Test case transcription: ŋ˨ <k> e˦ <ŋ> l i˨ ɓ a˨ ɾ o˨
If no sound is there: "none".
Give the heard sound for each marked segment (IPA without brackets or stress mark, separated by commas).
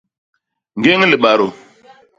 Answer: ɡ, ŋ